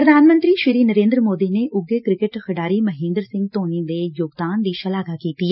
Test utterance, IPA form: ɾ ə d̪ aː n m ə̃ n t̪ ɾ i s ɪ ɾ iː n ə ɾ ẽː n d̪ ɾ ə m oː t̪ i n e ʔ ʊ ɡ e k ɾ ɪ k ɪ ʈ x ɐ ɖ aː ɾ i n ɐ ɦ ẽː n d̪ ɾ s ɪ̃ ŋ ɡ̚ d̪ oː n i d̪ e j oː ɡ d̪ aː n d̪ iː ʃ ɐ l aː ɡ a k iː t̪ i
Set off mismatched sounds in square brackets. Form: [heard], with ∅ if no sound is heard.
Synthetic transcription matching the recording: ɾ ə d̪ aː n m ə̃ n t̪ ɾ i [ʃ] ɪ ɾ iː n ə ɾ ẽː n d̪ ɾ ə m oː [d̪] i n e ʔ ʊ ɡ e k ɾ ɪ k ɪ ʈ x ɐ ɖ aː ɾ i [m] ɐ ɦ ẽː n d̪ ɾ s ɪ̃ ŋ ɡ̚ [t̪] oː n i d̪ e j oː ɡ d̪ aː n d̪ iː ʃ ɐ l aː ɡ a k iː t̪ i